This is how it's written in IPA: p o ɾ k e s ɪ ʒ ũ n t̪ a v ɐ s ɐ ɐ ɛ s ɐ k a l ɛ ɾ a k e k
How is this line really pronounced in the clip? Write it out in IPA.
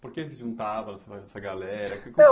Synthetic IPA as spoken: p o ɾ k e s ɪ ʒ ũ n t̪ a v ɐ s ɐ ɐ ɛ s ɐ ɡ a l ɛ ɾ ɐ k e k